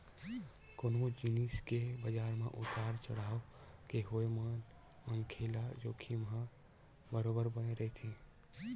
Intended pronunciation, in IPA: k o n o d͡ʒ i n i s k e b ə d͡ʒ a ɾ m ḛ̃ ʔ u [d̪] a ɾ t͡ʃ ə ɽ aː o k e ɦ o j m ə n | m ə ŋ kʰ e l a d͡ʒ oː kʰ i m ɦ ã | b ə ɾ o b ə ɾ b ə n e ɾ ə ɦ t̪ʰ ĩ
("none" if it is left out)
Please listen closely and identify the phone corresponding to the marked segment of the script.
t̪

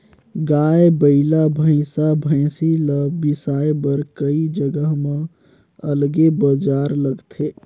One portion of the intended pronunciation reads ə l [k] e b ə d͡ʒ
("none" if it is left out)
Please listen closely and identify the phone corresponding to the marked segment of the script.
ɡ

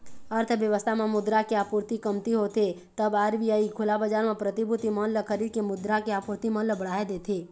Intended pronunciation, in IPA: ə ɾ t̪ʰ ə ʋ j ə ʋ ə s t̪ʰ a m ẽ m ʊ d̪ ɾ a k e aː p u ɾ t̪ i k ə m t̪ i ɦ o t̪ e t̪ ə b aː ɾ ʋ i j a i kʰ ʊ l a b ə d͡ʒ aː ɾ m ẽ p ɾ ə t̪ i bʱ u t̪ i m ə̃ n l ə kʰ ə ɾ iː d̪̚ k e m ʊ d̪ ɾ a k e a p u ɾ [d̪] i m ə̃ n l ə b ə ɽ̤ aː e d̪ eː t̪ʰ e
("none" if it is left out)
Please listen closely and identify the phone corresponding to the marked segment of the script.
t̪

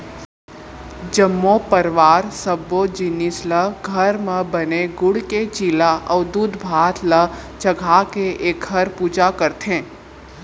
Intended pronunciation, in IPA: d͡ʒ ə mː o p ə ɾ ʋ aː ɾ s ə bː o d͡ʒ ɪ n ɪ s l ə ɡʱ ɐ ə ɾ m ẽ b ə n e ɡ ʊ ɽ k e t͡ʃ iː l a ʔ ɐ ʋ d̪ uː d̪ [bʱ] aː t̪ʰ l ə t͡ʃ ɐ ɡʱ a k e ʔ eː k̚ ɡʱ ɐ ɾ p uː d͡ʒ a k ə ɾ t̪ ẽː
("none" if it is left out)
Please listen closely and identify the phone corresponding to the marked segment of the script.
bʱ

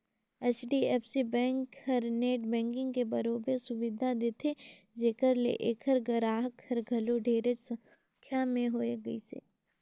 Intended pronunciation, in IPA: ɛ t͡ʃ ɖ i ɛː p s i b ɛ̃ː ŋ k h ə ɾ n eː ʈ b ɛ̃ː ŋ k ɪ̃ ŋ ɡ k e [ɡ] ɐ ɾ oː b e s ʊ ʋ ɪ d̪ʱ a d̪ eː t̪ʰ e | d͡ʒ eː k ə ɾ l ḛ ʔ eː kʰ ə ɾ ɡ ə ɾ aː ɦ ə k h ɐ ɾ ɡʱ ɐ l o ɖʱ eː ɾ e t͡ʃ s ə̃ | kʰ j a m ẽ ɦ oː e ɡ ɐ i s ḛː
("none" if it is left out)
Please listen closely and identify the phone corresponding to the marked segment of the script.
b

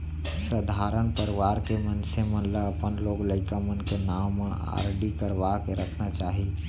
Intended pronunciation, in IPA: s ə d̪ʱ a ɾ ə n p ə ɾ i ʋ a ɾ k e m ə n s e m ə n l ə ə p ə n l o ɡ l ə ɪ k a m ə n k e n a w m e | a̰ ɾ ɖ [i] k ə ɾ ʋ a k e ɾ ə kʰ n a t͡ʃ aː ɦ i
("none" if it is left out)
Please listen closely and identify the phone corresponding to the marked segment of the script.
i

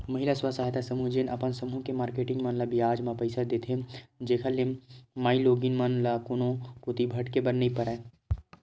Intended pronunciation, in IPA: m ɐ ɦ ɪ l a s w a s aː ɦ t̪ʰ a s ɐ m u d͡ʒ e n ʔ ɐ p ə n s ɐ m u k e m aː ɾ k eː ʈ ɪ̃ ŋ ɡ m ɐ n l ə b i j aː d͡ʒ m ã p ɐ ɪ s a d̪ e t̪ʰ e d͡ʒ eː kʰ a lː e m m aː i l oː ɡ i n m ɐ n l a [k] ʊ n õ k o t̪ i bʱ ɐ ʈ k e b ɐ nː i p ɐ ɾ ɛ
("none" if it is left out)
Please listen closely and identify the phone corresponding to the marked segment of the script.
k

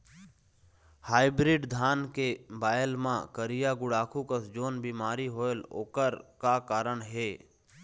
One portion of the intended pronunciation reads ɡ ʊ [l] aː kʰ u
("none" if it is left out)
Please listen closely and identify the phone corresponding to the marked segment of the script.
ɽ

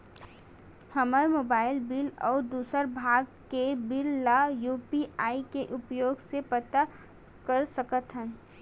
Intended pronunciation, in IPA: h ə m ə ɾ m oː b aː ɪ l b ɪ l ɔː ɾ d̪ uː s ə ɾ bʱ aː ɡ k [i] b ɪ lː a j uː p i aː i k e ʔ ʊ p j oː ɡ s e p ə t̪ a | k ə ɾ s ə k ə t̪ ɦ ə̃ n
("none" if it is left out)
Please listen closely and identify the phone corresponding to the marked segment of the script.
e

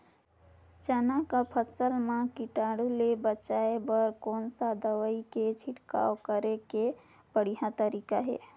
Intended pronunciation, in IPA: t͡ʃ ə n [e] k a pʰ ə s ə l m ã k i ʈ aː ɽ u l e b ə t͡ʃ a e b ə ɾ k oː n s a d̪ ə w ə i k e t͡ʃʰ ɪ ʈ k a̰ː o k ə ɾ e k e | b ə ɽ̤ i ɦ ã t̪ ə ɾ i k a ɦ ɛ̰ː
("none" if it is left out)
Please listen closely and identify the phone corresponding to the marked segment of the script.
a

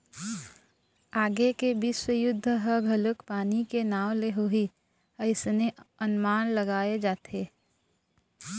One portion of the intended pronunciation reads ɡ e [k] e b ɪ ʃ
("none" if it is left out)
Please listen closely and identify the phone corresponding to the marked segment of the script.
k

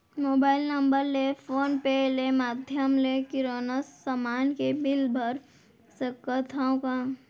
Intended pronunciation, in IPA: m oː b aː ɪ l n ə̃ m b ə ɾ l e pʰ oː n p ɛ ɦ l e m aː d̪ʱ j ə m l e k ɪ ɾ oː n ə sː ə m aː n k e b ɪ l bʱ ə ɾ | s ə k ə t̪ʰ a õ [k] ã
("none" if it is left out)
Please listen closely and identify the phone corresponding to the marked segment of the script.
k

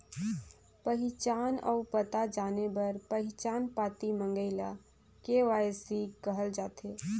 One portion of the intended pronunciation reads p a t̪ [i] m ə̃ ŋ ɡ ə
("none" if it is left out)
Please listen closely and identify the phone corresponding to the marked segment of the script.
i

